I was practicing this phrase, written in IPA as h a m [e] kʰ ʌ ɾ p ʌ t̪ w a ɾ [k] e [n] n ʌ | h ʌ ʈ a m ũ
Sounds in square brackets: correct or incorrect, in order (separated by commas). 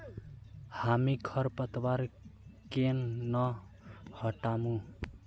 incorrect, correct, correct